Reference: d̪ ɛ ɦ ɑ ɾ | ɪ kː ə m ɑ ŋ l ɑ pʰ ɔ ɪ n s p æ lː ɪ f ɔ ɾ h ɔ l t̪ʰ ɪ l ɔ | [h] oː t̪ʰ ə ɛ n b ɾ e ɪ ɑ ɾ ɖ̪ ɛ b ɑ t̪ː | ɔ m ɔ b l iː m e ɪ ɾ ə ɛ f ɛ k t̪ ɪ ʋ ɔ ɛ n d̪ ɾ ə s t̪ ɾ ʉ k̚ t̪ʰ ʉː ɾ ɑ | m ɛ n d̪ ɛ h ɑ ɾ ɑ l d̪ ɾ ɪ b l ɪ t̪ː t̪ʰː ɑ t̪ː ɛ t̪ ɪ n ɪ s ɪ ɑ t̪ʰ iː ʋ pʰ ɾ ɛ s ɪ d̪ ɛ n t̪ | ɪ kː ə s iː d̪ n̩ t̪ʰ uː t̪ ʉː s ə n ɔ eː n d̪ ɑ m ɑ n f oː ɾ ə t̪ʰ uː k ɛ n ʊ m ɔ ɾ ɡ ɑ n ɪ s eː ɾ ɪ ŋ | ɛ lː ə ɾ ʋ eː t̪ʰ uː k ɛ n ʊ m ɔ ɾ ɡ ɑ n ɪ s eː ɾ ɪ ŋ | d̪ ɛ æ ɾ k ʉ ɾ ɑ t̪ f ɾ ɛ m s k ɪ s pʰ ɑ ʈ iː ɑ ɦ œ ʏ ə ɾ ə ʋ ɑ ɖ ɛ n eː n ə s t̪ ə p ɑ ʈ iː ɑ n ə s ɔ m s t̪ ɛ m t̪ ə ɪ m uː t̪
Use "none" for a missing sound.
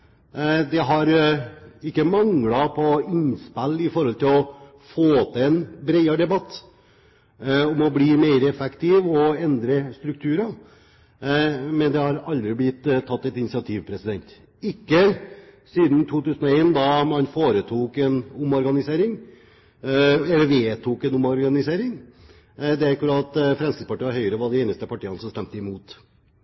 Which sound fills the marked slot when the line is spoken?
f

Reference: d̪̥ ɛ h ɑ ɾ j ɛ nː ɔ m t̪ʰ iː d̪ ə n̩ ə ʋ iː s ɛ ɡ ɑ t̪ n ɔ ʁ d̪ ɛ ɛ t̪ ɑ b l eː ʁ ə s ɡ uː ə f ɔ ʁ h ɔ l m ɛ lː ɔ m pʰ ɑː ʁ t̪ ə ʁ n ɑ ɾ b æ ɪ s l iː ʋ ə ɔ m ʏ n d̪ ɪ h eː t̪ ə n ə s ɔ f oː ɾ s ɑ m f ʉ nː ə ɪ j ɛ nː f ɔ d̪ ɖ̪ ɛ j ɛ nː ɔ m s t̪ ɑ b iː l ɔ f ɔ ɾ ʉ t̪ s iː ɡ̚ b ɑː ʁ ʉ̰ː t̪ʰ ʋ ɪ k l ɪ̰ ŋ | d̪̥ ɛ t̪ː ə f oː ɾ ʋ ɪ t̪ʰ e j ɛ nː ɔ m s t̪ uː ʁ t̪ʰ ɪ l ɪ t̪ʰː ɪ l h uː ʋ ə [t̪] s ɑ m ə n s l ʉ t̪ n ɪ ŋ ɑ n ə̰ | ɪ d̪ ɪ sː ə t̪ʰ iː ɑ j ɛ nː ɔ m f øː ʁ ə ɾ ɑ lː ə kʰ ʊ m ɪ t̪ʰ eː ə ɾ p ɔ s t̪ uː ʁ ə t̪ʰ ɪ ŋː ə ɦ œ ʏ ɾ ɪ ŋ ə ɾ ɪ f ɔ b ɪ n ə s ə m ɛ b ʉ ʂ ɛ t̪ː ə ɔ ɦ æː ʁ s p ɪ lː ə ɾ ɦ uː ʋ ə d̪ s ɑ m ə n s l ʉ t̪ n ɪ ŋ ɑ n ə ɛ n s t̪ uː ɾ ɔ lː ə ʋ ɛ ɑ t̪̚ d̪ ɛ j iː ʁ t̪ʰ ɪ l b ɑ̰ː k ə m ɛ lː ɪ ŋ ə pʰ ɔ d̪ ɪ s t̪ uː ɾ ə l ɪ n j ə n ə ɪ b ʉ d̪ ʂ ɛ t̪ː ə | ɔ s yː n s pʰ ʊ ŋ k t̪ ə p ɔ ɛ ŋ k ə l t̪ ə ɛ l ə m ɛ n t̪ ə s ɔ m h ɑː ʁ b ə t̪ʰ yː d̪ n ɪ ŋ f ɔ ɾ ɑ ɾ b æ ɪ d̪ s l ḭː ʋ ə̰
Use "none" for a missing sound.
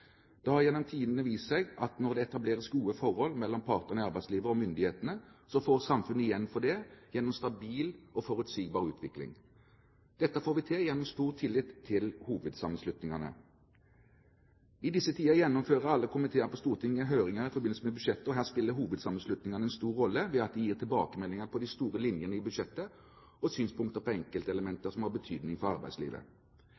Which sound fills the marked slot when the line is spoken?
d̪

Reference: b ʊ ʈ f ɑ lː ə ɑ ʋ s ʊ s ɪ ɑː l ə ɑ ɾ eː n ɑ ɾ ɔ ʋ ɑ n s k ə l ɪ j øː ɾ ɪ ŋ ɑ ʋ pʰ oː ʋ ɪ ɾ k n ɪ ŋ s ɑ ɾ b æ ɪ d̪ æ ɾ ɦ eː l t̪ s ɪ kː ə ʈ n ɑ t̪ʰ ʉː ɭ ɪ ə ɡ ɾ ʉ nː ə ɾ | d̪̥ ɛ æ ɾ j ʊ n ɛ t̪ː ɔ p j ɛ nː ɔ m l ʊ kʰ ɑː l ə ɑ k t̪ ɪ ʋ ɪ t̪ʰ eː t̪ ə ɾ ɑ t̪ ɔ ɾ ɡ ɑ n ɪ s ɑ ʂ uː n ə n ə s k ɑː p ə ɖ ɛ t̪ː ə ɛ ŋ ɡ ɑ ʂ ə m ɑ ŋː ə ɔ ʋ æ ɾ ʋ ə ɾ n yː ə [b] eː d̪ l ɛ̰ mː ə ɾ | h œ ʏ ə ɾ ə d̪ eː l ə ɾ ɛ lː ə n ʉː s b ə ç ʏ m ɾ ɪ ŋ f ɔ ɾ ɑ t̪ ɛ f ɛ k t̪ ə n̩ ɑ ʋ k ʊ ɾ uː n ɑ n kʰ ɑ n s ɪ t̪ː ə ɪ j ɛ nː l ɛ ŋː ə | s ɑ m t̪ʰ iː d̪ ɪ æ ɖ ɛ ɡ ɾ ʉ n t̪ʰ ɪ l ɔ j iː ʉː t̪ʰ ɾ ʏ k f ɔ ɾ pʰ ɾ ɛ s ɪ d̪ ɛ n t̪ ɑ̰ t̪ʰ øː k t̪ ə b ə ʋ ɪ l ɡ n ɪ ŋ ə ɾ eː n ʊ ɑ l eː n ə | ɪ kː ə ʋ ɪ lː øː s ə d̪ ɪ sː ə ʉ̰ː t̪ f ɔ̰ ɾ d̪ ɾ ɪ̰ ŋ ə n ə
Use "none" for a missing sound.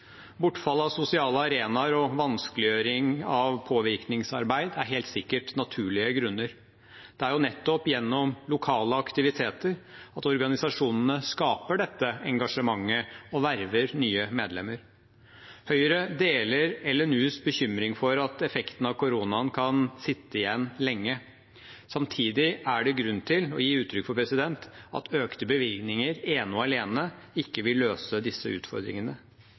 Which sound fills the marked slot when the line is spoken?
m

